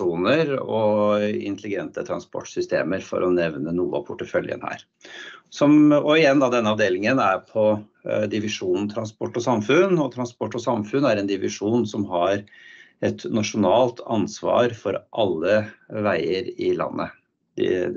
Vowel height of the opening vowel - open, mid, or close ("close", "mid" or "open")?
close